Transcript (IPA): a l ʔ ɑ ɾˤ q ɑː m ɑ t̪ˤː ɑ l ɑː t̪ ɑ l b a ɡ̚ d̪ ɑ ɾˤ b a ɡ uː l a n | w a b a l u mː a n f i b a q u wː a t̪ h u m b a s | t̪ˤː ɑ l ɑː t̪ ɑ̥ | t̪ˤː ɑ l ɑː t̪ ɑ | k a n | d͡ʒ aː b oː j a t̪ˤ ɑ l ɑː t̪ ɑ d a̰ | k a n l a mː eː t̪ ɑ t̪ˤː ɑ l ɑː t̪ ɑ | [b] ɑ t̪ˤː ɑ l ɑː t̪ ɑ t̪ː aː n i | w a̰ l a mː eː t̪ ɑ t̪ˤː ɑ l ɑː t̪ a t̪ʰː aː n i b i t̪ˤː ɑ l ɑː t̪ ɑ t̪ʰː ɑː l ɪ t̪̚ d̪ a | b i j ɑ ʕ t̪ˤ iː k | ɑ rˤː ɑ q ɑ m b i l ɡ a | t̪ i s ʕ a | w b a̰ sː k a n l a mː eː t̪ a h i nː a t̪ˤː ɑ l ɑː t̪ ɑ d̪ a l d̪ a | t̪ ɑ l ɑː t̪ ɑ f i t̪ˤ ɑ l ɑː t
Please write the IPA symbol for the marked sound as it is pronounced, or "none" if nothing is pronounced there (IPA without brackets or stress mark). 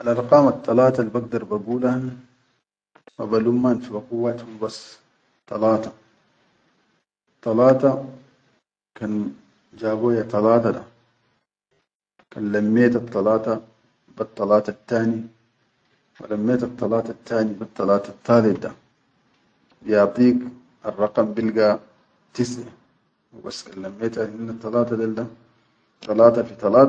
b